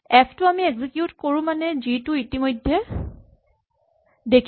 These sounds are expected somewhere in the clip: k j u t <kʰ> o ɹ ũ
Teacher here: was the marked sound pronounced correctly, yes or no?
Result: no